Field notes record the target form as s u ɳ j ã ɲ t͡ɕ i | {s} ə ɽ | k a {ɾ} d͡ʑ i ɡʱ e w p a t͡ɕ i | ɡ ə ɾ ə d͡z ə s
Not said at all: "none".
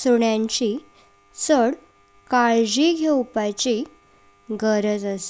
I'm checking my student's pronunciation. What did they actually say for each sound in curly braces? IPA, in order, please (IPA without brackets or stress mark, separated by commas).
s, ɭ